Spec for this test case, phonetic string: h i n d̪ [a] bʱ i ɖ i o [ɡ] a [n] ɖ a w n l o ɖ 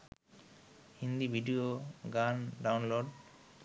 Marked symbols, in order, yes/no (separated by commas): no, yes, yes